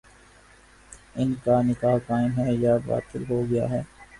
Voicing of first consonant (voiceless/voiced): voiced